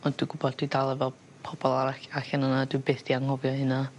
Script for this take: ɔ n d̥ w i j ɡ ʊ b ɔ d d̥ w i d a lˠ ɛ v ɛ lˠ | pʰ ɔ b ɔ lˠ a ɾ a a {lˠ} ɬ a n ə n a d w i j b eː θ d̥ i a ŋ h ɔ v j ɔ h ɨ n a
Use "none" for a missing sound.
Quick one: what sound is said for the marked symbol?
none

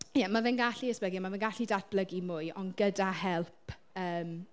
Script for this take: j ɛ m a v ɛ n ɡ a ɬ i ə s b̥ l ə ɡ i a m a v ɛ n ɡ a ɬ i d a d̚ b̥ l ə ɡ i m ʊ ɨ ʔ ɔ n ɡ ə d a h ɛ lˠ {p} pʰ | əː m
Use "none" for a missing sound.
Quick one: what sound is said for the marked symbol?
p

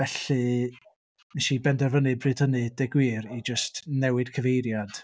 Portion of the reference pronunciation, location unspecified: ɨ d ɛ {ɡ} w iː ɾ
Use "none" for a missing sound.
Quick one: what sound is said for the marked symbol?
ɡ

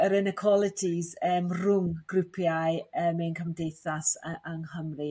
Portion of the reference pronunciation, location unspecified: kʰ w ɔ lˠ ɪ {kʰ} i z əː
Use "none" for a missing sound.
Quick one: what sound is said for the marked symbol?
tʰ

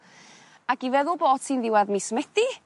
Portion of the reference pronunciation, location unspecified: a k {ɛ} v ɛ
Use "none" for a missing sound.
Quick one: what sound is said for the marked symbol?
i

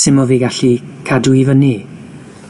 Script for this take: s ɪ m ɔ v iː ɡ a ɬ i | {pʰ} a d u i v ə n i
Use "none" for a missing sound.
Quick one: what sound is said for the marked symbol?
kʰ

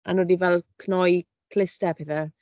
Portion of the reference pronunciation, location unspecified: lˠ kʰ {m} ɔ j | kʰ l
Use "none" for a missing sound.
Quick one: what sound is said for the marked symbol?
n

